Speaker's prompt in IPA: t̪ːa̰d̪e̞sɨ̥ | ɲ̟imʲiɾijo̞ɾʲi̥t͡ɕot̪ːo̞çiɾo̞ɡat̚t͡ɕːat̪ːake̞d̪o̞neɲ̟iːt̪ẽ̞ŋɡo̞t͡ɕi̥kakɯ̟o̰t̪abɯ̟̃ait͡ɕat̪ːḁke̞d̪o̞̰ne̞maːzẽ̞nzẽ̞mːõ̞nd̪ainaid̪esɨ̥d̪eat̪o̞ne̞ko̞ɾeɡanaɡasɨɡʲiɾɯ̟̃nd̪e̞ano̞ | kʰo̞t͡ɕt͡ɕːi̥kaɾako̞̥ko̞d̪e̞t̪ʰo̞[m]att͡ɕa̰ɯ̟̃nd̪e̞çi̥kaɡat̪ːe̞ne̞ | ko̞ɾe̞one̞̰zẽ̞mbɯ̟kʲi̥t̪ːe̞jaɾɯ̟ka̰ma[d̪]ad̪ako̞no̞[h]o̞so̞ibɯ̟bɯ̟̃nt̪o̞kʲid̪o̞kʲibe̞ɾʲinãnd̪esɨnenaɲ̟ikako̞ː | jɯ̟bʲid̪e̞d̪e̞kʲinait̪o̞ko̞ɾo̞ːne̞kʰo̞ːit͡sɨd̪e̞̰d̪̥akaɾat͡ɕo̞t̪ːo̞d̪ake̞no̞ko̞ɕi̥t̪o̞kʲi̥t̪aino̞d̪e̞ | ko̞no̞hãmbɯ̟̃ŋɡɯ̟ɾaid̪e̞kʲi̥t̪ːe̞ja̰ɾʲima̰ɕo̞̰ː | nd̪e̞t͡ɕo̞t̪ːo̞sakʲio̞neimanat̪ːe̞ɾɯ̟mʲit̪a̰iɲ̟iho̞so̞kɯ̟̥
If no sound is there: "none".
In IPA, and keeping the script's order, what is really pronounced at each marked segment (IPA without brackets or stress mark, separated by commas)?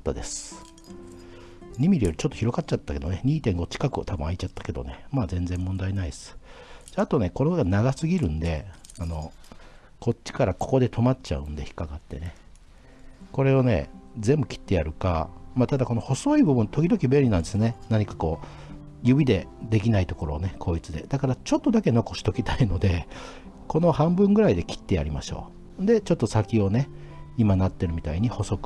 m, t̪, h